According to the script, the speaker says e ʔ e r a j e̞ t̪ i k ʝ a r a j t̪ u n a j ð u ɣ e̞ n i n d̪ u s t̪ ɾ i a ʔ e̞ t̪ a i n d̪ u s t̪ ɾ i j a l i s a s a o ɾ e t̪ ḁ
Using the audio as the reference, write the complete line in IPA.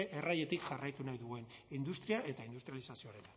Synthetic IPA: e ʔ e r a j e̞ t̪ i k ʝ a r a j t̪ u n a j ð u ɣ e̞ n i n d̪ u s t̪ ɾ i a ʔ e̞ t̪ a i n d̪ u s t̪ ɾ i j a l i s a s i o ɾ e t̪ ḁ